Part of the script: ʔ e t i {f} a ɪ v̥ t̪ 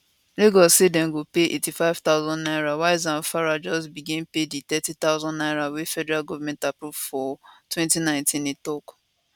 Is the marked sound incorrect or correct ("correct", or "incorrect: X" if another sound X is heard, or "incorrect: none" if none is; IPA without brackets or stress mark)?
correct